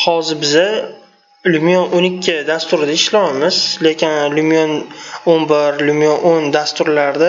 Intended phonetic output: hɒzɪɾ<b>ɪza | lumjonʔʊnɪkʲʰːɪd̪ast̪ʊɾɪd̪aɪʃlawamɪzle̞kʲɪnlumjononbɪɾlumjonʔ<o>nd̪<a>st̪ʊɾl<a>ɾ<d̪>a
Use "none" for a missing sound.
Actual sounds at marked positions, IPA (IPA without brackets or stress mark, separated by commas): b, o, a, a, d̪